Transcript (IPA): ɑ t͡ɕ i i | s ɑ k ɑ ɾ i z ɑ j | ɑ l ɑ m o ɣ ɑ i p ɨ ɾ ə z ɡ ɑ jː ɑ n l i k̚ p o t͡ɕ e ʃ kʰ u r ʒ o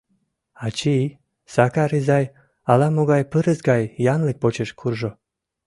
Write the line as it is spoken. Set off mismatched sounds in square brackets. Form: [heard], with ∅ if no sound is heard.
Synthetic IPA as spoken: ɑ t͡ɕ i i | s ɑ k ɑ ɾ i z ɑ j | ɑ l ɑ m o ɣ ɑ [j] p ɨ ɾ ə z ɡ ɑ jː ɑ n l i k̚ p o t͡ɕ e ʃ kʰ u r ʒ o